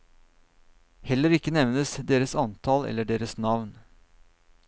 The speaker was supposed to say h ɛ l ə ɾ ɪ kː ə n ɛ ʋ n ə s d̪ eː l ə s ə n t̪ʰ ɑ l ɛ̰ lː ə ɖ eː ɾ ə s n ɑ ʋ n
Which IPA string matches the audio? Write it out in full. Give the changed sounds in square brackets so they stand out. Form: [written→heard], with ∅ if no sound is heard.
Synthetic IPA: h ɛ l ə ɾ ɪ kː ə n ɛ ʋ n ə s d̪ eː [l→ɾ] ə s [ə→ɑ] n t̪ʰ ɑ l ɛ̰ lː ə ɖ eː ɾ ə s n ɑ ʋ n